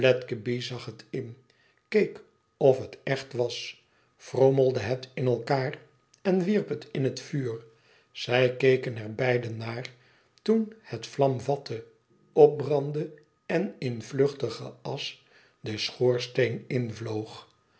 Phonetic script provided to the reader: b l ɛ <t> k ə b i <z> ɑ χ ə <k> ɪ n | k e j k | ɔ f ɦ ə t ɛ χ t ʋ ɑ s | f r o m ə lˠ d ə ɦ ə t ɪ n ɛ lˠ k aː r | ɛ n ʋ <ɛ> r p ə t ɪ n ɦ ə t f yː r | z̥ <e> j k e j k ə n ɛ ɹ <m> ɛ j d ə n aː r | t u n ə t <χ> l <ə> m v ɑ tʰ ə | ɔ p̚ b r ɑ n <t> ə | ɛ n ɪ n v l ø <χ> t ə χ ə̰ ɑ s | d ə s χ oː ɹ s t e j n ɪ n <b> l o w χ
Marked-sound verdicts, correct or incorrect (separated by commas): correct, correct, incorrect, incorrect, incorrect, incorrect, incorrect, incorrect, incorrect, correct, incorrect